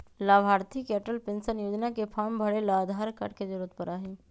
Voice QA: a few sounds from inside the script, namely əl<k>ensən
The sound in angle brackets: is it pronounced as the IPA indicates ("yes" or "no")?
no